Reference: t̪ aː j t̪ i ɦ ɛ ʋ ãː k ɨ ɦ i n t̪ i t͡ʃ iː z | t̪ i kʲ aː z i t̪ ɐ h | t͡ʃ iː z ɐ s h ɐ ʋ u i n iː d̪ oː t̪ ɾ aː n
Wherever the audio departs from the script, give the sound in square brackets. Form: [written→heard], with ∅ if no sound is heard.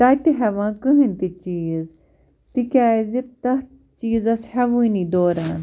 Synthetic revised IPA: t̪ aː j t̪ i ɦ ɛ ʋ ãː k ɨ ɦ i n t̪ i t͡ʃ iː z | t̪ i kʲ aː z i t̪ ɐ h | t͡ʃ iː z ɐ s h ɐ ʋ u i n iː d̪ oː [t̪→∅] ɾ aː n